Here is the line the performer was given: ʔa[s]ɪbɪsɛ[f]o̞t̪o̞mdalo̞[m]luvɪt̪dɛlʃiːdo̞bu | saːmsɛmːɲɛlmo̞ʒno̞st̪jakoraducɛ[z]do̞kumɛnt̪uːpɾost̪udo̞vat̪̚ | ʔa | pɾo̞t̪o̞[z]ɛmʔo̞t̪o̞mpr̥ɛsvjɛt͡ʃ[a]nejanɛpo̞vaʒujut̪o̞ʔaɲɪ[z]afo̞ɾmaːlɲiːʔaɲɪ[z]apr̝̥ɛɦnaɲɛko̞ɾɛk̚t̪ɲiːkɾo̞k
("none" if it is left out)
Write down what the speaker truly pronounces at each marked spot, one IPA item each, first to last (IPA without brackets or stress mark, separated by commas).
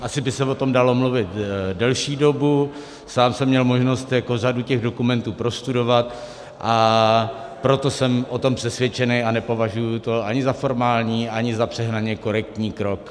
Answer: s, v, m, ɣ, s, ɛ, z, z